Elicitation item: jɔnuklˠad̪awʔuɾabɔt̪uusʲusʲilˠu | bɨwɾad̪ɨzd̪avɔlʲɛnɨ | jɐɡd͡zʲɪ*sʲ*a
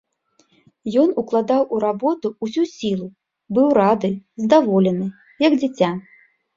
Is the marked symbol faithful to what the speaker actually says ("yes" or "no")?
no